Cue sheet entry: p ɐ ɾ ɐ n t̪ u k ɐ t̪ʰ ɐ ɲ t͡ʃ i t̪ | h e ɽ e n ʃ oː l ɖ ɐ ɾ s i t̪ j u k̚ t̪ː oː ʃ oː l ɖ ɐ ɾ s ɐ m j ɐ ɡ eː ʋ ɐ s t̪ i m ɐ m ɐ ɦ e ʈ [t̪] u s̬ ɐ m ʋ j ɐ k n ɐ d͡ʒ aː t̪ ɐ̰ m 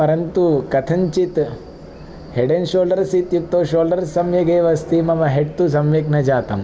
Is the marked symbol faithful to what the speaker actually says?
yes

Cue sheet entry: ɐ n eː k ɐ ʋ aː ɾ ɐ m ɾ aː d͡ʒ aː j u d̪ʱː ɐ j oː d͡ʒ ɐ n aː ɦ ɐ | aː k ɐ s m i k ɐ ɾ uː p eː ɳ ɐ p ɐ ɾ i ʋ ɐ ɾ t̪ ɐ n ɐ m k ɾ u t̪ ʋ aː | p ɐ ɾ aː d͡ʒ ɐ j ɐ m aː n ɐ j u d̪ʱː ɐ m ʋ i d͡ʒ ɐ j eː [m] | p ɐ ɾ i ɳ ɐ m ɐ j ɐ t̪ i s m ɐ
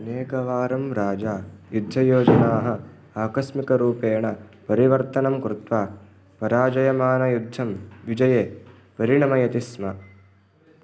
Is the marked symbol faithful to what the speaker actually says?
no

